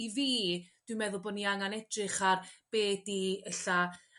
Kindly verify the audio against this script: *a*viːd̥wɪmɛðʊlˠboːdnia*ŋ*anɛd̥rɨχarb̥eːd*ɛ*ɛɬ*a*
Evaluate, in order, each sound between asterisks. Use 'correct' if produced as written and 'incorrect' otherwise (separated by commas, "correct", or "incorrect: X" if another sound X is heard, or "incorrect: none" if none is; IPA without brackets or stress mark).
incorrect: i, correct, incorrect: i, correct